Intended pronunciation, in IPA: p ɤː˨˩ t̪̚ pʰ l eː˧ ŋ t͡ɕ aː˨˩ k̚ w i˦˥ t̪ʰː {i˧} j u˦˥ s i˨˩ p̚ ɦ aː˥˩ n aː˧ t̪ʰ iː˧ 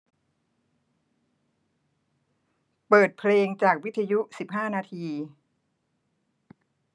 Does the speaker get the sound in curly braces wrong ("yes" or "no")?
yes